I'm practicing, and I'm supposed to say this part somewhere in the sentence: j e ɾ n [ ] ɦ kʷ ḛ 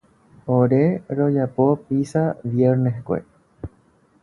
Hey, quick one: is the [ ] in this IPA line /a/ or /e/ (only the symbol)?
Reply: e